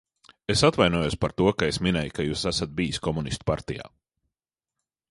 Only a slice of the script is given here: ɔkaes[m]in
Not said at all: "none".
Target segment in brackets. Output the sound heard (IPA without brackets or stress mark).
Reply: m